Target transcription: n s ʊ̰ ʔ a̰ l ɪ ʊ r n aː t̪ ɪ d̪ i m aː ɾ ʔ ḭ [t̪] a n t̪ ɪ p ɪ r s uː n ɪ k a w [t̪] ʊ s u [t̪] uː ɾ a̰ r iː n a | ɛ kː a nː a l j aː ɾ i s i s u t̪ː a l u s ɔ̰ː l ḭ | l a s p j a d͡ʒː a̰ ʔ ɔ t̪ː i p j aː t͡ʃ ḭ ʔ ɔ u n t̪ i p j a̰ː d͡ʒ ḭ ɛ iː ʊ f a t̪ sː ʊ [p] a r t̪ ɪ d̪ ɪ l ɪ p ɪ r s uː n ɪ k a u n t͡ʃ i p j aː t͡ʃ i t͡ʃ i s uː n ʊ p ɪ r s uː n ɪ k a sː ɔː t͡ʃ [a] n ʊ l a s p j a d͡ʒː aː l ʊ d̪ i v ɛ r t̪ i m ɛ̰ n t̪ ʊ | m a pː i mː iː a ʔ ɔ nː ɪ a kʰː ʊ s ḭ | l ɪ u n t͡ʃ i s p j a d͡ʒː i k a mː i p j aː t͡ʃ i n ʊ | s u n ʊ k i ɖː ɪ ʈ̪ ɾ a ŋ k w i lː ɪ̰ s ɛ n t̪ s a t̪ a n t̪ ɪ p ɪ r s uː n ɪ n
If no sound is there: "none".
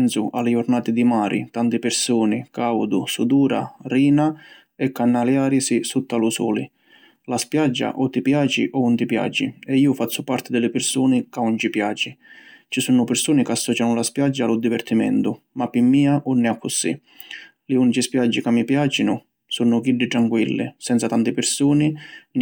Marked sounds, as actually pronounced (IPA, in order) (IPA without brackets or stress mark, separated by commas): t̪, d̪, d̪, p, a